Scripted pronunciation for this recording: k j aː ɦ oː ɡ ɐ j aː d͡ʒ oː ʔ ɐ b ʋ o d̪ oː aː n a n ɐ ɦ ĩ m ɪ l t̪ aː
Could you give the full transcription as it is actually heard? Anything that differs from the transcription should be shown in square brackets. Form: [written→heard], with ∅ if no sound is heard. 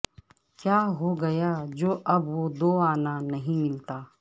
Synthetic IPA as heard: k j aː ɦ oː ɡ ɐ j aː d͡ʒ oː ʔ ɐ b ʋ o d̪ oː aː n a n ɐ ɦ ĩ m ɪ l t̪ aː